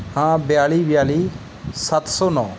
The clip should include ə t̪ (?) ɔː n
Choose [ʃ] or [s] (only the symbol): s